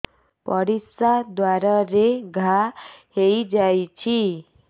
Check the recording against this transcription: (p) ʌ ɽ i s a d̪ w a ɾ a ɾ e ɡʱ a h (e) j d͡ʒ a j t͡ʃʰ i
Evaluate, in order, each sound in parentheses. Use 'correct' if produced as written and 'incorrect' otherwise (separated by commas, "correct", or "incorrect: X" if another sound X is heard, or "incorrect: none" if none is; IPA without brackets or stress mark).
correct, correct